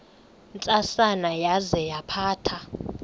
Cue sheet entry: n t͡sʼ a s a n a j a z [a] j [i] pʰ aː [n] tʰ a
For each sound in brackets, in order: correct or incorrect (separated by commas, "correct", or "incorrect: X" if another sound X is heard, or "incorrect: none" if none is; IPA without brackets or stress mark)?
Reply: incorrect: ɛ, incorrect: a, incorrect: none